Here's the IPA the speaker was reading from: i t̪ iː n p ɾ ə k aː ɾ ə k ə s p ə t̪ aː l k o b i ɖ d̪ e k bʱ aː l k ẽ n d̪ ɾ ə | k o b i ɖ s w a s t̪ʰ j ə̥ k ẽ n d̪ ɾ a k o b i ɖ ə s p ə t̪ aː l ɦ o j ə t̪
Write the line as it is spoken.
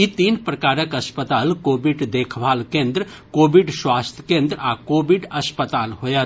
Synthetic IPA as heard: i t̪ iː n p ɾ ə k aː ɾ ə k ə s p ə t̪ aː l k o b i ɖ d̪ e kʰ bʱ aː l k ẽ n d̪ ɾ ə | k o b i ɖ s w a s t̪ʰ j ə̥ k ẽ n d̪ ɾ a k o b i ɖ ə s p ə t̪ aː l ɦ o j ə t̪